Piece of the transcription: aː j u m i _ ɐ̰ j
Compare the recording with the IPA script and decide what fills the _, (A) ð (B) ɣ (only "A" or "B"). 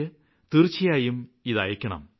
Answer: A